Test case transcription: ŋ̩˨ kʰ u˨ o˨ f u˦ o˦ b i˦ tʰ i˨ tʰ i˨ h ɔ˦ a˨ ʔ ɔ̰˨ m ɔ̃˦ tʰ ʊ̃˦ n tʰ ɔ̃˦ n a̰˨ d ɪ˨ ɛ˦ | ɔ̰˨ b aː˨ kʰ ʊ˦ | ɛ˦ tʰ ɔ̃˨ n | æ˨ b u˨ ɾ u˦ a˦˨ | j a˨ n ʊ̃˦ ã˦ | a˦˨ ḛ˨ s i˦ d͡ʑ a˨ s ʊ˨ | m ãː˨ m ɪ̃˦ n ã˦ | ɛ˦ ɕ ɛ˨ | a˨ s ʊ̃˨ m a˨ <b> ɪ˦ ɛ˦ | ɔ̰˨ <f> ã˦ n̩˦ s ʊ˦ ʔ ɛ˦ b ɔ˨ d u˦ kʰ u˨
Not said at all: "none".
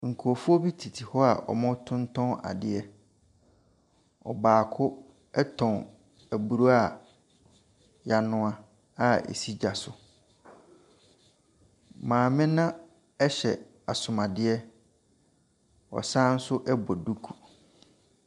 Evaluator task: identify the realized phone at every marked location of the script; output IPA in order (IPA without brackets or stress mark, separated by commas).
d, s